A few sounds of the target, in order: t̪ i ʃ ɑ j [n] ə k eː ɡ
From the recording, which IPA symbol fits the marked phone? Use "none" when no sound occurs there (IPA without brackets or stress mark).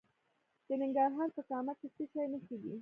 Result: n